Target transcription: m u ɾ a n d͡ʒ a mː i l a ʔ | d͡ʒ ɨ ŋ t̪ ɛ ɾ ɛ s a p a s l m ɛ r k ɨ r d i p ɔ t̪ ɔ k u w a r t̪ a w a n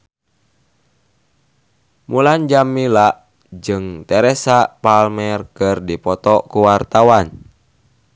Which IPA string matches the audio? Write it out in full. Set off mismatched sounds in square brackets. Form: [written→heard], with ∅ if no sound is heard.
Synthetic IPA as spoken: m u [ɾ→l] a n d͡ʒ a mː i l a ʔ | d͡ʒ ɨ ŋ t̪ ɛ ɾ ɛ s a p a [s→∅] l m ɛ r k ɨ r d i p ɔ t̪ ɔ k u w a r t̪ a w a n